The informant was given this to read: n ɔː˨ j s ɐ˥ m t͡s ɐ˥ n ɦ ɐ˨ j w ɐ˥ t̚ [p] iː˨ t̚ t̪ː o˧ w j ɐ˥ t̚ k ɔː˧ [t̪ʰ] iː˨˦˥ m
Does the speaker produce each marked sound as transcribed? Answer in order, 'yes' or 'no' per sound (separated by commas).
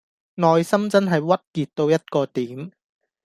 no, no